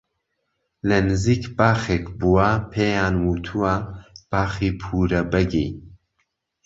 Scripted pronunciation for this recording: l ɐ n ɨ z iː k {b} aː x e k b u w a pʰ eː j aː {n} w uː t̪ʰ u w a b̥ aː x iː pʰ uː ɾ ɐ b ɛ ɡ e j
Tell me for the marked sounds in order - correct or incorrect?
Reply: correct, correct

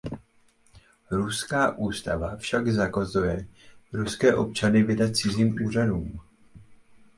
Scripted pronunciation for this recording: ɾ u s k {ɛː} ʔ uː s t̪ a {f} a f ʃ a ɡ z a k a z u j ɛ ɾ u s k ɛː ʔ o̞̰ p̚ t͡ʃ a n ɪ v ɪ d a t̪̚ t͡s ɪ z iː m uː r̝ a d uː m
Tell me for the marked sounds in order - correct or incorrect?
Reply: incorrect, incorrect

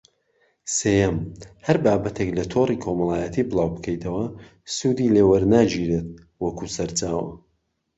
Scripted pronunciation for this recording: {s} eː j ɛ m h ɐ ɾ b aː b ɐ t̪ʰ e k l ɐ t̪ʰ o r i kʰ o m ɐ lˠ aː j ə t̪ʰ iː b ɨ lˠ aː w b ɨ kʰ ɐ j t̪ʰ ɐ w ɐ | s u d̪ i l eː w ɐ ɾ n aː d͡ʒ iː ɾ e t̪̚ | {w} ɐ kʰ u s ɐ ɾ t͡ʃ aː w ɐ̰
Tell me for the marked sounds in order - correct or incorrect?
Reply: correct, correct

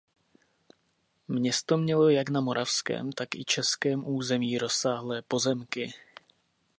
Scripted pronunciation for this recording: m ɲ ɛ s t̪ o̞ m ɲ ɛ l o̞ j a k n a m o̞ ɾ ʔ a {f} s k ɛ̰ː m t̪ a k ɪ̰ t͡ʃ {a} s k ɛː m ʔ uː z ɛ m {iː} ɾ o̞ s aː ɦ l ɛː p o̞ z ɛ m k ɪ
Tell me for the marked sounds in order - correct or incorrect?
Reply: correct, incorrect, correct

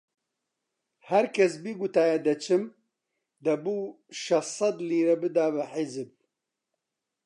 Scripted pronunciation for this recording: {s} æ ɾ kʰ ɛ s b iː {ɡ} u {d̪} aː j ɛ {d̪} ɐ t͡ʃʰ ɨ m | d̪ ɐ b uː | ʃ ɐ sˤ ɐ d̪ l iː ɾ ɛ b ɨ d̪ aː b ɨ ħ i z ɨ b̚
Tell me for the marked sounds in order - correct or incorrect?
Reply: incorrect, correct, incorrect, correct

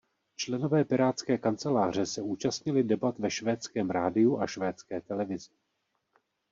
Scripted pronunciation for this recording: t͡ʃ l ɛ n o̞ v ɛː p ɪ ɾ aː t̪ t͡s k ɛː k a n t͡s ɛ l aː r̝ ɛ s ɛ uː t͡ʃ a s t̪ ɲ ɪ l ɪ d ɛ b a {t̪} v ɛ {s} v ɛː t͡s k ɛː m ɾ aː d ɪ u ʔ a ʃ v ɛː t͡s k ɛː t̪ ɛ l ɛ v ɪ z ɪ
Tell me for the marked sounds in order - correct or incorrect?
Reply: correct, incorrect

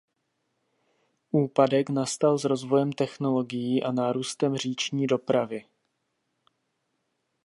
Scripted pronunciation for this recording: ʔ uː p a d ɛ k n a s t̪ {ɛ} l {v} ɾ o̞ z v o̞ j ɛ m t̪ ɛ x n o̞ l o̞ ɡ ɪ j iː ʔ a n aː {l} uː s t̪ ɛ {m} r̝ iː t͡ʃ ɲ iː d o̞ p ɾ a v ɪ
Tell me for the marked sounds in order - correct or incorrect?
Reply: incorrect, incorrect, incorrect, correct

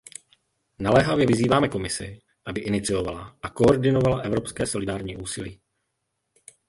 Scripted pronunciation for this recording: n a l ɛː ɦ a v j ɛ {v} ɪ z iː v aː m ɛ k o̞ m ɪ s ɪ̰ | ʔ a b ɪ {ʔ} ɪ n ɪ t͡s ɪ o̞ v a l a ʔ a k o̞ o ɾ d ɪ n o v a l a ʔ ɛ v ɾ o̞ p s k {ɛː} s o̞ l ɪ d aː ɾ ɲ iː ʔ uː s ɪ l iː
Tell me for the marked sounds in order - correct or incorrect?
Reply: correct, correct, correct

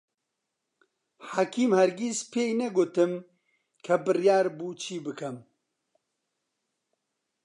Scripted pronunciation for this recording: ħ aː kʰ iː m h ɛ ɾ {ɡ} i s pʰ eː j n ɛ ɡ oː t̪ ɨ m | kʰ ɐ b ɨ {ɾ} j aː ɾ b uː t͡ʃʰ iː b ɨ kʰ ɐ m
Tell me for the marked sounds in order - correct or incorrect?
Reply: correct, incorrect

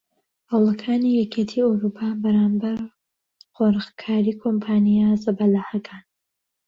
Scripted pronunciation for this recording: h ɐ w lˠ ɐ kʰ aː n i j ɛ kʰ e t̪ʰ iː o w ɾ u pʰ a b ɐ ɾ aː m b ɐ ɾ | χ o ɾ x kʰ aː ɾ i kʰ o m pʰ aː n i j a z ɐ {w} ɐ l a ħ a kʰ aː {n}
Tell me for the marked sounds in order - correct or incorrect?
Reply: incorrect, correct

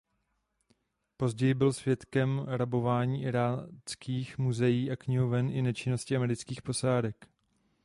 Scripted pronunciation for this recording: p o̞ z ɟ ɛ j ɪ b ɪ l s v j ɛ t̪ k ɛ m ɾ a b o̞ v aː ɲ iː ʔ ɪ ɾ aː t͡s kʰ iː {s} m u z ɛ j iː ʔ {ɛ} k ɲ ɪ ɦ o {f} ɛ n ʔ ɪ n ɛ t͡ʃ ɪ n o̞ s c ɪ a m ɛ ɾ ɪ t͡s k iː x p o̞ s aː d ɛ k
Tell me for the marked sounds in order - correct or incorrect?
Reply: incorrect, incorrect, incorrect

